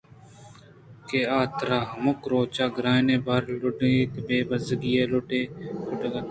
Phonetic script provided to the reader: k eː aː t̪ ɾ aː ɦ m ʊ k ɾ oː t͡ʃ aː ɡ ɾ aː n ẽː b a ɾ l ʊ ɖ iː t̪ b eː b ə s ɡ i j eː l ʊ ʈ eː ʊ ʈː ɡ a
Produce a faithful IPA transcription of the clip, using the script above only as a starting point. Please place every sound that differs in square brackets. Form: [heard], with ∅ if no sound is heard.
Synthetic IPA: k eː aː t̪ ɾ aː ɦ m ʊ k ɾ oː t͡ʃ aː ɡ ɾ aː n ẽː b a ɾ l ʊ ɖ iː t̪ b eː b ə [z] ɡ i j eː l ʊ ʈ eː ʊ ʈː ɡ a

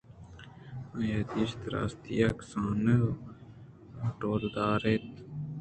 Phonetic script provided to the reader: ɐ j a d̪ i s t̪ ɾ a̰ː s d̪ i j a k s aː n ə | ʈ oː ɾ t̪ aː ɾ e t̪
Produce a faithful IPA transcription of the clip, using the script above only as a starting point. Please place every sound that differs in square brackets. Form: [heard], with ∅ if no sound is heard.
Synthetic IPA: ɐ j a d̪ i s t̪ ɾ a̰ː s [t̪] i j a k s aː n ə | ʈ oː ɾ [d̪] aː ɾ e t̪

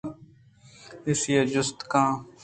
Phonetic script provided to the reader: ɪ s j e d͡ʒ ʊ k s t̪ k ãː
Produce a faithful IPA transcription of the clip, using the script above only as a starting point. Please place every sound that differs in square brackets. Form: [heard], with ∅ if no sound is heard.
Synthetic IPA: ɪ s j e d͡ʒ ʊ [∅] s t̪ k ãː

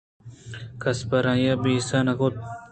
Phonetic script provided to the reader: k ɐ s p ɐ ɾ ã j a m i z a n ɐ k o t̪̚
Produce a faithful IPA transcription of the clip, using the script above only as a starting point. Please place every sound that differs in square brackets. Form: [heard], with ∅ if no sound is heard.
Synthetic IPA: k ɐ s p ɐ ɾ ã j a [b] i [s] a n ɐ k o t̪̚

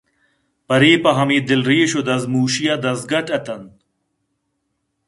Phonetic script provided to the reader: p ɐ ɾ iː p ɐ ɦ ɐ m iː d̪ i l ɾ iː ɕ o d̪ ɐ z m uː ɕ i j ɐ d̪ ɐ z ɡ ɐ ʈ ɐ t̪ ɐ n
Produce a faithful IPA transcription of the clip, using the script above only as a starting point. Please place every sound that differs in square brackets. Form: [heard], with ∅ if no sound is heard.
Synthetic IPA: p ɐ ɾ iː p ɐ ɦ ɐ m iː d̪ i l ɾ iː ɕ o d̪ ɐ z m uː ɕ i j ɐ d̪ ɐ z ɡ ɐ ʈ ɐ t̪ ɐ n

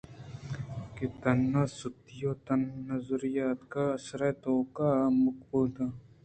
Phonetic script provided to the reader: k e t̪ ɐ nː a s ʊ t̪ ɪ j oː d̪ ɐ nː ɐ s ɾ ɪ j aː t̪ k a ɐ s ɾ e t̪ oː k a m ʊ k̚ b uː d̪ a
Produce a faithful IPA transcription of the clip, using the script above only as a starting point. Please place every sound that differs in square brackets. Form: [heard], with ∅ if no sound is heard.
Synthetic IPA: k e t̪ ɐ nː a s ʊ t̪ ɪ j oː [t̪] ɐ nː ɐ [z] ɾ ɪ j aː t̪ k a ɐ s ɾ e t̪ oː k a m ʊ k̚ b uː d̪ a

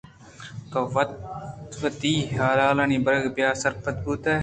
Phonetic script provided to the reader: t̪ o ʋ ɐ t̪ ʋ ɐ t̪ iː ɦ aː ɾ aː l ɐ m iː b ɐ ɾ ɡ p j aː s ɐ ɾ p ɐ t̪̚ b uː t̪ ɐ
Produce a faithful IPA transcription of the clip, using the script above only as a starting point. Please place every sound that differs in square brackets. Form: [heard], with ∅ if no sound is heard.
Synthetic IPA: t̪ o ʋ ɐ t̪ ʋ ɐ t̪ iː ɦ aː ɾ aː l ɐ [n] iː b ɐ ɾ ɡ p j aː s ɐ ɾ p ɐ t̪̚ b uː t̪ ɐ

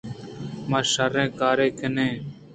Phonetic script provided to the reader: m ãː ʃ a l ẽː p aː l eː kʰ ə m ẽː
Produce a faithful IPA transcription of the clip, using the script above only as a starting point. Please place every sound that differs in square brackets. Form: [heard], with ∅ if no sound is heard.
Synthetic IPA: m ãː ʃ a [ɾ] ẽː [k] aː [ɾ] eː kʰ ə [n] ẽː

